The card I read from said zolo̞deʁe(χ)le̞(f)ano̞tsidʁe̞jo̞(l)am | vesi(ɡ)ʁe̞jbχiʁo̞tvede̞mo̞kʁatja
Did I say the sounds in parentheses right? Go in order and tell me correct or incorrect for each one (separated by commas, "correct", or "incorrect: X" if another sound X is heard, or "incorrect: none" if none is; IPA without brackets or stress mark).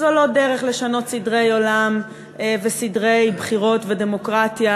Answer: correct, incorrect: ʃ, correct, incorrect: d